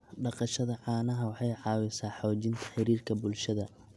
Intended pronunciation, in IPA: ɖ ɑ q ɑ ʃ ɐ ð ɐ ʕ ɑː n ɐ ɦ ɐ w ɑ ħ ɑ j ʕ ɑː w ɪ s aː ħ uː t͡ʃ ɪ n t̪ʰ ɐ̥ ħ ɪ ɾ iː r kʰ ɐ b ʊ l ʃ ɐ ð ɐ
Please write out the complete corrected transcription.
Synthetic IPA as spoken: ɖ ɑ q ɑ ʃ ɐ ð ɐ ʕ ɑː n ɐ ɦ ɐ w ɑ ħ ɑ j ʕ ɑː w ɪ s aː ħ ɔː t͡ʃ ɪ n t̪ʰ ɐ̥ ħ ɪ ɾ iː r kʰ ɐ b ʊ l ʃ ɐ ð ɐ